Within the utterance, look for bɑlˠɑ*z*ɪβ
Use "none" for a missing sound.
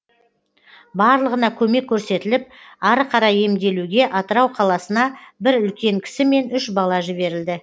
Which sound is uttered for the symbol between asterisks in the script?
ʒ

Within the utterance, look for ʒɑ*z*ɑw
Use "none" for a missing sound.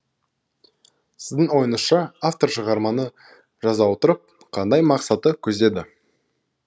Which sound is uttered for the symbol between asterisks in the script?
z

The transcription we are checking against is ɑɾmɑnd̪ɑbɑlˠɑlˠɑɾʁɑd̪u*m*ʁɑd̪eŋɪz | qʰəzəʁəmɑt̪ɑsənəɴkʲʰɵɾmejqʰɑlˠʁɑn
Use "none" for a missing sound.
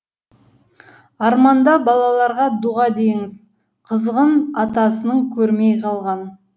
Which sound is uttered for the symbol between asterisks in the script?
none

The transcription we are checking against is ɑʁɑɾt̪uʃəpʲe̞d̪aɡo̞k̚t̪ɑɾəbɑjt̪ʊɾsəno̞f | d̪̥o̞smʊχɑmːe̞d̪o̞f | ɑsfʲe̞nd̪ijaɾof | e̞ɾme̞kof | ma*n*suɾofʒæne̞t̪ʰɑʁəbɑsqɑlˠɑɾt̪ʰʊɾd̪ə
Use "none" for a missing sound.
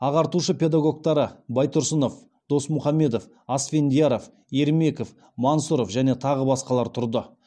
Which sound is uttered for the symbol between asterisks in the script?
n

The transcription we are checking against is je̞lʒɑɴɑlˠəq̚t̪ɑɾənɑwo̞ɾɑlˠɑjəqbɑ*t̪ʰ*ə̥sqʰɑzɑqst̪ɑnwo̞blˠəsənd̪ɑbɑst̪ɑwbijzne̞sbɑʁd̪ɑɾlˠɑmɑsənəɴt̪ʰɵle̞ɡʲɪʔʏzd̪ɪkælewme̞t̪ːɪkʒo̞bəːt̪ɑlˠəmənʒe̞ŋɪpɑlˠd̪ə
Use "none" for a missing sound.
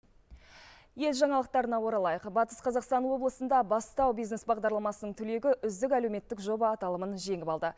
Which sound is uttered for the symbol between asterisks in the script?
t̪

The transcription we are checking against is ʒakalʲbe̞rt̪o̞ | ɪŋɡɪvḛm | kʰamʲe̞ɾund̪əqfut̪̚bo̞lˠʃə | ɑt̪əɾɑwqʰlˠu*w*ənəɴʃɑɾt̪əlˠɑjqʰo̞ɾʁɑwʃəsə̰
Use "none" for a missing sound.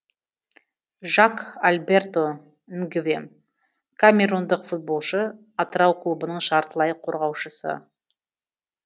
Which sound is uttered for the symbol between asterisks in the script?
b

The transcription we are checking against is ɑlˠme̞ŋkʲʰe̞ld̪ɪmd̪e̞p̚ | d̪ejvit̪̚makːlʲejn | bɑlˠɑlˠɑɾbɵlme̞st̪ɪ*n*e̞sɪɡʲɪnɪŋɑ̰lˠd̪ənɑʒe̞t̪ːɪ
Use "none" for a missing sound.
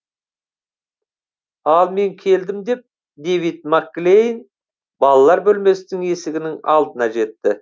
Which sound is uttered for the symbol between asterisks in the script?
ŋ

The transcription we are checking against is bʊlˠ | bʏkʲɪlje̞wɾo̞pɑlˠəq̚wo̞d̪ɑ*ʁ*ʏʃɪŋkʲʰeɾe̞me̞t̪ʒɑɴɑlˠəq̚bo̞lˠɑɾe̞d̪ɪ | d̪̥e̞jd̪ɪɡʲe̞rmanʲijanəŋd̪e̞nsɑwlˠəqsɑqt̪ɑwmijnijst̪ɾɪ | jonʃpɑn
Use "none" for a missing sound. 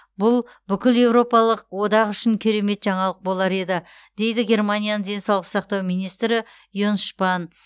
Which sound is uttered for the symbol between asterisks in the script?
ʁ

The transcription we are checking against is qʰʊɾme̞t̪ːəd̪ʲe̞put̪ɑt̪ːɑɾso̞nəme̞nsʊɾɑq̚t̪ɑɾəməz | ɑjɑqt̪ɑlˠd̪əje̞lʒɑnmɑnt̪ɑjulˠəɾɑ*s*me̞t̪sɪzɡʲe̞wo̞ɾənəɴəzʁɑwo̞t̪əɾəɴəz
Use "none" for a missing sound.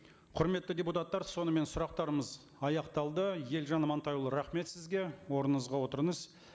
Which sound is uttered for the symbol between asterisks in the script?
χ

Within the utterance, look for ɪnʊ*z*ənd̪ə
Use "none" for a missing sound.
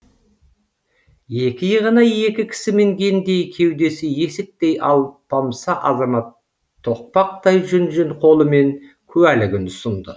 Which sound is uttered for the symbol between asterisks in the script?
s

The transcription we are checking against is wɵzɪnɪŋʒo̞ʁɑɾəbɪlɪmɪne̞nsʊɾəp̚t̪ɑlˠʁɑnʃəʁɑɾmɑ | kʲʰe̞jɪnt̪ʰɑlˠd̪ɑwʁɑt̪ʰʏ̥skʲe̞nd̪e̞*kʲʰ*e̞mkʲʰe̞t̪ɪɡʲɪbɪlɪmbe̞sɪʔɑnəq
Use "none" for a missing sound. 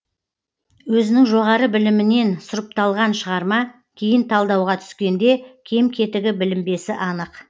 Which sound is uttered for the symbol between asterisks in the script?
kʲʰ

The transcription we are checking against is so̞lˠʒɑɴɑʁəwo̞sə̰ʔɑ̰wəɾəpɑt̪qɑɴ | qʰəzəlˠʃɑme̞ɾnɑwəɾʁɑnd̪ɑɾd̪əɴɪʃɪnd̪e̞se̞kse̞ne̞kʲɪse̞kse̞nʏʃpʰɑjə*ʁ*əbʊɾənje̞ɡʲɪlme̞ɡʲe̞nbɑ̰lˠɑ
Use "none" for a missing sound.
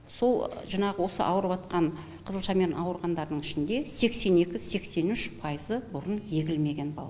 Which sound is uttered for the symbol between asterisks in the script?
z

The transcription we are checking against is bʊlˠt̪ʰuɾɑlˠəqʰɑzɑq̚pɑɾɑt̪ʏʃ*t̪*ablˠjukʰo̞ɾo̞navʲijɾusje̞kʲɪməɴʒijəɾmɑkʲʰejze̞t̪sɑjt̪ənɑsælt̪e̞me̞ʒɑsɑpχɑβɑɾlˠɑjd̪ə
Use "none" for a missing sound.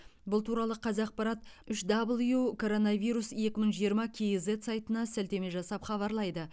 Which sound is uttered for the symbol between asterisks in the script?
d̪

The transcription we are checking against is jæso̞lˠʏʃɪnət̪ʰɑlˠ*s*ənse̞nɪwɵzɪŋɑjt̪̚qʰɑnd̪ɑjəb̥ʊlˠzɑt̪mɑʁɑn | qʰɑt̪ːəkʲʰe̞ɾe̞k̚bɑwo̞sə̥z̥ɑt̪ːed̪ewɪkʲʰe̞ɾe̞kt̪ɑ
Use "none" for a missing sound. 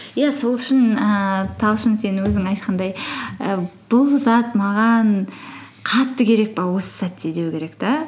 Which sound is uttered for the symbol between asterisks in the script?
ʃ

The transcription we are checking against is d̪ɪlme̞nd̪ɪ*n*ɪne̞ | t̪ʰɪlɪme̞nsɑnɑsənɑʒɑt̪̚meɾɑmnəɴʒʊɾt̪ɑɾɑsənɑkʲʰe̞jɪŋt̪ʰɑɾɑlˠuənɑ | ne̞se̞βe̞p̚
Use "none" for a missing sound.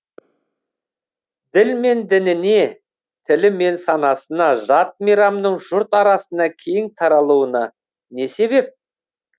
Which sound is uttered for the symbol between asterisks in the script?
n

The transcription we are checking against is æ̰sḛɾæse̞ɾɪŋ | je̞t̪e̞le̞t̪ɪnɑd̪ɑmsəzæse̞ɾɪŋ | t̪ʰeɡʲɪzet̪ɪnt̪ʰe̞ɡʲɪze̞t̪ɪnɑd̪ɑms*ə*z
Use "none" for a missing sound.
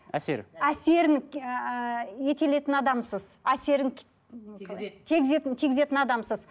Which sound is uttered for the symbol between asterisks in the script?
ə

